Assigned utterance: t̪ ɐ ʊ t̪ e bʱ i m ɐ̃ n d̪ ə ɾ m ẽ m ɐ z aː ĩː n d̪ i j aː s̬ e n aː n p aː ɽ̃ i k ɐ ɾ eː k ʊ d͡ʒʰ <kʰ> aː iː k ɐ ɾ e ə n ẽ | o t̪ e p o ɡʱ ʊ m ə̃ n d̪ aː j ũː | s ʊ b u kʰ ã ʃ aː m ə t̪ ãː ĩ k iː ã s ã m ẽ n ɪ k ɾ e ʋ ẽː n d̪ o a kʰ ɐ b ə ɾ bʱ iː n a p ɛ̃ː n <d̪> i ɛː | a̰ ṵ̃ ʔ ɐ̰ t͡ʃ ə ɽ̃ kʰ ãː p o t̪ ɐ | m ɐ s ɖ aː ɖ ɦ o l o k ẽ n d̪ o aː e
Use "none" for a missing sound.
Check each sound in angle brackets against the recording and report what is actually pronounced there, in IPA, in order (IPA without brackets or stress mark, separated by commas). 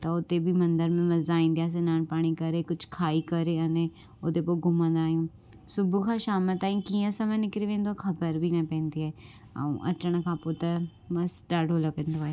kʰ, d̪